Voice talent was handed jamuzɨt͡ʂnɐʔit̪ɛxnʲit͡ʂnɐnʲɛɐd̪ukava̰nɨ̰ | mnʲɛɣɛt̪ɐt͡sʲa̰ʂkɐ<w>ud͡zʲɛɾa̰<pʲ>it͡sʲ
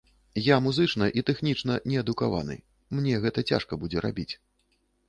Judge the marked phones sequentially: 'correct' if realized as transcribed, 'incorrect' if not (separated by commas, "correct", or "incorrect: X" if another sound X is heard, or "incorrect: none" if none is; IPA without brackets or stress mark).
incorrect: b, incorrect: bʲ